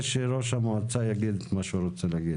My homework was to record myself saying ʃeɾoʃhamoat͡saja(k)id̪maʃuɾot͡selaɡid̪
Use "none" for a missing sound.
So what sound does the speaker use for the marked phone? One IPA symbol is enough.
ɡ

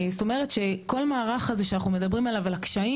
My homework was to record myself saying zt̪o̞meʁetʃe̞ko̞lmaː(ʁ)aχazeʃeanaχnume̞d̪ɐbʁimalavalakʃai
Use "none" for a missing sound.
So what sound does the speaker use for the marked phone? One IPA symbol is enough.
ʁ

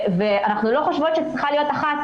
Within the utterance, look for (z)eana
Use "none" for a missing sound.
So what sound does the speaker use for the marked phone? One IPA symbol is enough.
v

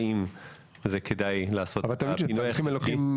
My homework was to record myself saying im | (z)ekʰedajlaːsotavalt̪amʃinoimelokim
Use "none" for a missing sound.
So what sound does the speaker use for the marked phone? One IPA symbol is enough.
z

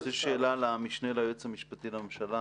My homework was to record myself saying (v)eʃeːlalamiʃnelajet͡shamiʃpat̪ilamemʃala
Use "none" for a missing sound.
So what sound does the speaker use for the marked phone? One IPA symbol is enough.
z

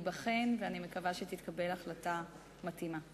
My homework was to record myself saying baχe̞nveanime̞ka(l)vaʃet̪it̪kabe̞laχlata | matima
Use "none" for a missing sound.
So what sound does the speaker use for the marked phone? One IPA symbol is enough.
none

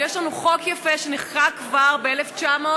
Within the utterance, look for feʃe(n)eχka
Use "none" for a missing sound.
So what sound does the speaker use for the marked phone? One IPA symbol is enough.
n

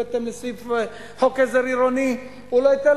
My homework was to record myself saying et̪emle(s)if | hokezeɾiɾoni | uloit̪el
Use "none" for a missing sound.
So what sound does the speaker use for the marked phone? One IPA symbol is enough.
s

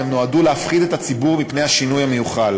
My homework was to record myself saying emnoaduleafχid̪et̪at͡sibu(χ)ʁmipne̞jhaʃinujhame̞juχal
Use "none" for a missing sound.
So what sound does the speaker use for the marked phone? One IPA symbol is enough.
none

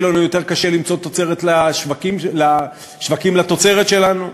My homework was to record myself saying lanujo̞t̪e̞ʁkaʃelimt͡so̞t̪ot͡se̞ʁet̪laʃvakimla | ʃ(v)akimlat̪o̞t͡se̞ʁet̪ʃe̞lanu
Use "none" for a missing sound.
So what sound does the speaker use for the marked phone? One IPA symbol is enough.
v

